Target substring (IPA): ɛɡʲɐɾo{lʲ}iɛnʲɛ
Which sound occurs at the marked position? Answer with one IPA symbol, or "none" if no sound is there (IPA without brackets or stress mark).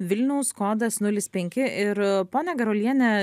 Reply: lʲ